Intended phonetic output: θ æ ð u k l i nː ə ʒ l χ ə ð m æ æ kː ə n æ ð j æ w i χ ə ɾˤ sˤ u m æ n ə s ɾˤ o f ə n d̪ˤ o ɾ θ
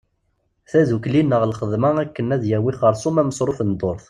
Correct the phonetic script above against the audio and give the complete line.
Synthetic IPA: θ æ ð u k l i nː ə ʁ l χ ə ð m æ æ kː ə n æ ð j æ w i χ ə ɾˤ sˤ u m æ m ə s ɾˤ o f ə n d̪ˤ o ɾ θ